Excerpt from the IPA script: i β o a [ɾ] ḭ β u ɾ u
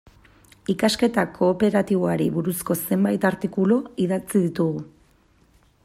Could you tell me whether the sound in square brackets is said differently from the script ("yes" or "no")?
no